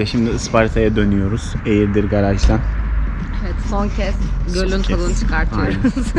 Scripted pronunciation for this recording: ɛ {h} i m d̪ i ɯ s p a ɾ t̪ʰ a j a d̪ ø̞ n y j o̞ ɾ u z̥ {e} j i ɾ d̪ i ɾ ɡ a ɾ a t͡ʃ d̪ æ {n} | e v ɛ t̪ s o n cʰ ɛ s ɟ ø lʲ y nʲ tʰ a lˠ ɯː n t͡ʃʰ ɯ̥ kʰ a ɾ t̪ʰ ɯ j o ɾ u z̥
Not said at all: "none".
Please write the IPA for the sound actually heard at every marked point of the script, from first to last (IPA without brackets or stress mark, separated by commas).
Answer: ʃ, e, n